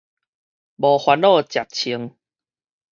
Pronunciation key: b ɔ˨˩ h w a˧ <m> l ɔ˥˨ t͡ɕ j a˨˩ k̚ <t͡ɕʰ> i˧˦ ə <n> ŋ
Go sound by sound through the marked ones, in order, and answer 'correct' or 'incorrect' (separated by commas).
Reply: incorrect, correct, incorrect